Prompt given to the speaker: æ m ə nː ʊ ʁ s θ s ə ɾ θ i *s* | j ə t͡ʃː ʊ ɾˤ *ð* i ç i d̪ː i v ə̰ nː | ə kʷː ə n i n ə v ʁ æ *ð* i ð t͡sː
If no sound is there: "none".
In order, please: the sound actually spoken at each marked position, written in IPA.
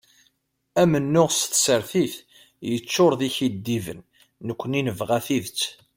θ, ð, θ

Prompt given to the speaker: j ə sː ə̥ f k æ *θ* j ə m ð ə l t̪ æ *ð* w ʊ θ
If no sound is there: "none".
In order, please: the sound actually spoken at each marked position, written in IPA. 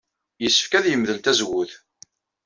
ð, z

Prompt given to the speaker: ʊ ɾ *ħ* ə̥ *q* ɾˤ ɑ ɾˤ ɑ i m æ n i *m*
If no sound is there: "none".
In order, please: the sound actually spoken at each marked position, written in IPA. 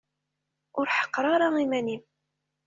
ħ, q, m

